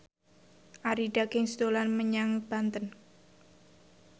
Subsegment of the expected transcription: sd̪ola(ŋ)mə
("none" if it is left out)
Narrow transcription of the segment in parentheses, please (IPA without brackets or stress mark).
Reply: n